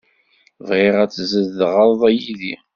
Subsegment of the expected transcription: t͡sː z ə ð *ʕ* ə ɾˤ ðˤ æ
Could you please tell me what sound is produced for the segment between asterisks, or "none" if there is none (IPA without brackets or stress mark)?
ʁ